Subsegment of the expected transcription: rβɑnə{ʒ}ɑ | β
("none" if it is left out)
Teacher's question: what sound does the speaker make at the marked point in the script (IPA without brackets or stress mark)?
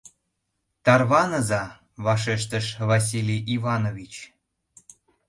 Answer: z